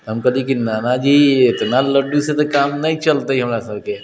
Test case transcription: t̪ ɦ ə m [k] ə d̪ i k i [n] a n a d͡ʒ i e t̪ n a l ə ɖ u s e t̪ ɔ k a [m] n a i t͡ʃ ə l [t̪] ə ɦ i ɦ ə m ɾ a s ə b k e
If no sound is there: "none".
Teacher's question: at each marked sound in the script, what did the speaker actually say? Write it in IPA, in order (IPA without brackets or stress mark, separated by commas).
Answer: k, n, m, t̪